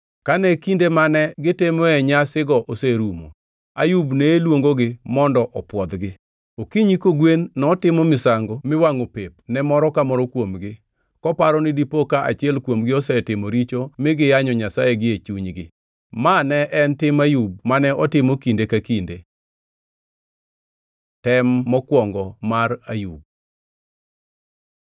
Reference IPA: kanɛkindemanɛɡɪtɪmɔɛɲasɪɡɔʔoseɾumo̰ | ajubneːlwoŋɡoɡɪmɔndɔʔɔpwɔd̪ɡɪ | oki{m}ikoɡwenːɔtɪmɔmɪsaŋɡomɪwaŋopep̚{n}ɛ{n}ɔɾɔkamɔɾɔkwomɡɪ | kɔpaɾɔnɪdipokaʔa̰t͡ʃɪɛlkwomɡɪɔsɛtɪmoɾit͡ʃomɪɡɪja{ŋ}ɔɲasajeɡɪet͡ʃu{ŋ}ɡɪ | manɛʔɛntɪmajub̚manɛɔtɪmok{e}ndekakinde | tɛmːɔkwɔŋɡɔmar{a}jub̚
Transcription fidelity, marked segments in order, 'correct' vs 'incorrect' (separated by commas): incorrect, correct, incorrect, incorrect, incorrect, incorrect, correct